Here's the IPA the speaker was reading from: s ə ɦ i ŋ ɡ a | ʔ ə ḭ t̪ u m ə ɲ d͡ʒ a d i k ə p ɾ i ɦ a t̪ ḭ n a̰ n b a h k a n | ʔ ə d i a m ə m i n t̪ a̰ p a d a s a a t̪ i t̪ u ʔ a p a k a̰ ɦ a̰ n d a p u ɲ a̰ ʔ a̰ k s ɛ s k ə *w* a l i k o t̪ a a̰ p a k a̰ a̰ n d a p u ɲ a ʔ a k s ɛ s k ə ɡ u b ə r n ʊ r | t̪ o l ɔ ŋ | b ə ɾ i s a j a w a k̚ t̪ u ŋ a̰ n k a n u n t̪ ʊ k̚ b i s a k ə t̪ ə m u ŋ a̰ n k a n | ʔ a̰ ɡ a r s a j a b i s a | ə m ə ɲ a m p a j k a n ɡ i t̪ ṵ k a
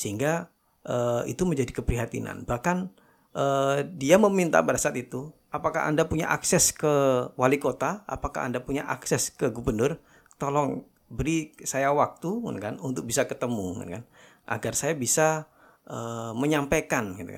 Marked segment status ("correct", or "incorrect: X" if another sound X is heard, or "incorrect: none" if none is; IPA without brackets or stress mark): correct